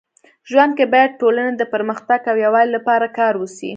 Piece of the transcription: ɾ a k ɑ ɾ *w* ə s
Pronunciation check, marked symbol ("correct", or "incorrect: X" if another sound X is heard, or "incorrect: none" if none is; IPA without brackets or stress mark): correct